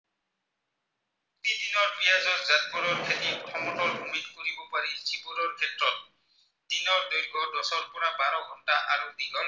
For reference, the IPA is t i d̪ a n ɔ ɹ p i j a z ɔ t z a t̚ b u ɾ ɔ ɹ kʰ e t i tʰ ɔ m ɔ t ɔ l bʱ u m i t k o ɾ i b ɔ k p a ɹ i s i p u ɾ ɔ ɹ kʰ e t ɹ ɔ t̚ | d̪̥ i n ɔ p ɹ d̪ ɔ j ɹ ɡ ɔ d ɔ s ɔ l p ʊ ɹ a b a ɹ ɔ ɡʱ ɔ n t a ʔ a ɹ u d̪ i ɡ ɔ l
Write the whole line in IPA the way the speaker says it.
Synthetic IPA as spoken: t i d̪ i n ɔ ɹ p i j a z ɔ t z a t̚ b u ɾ ɔ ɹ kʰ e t i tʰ ɔ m ɔ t ɔ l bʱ u m i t k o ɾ i b ɔ p a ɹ i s i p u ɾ ɔ ɹ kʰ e t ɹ ɔ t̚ | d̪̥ i n ɔ ɹ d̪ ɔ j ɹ ɡ ɔ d ɔ s ɔ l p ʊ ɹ a b a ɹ ɔ ɡʱ ɔ n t a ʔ a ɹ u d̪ i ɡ ɔ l